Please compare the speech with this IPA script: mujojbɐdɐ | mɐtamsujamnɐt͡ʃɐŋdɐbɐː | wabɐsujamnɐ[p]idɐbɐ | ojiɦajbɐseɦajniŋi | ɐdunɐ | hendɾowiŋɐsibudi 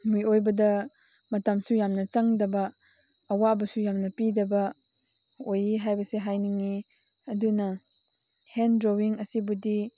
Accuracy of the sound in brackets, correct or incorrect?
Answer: correct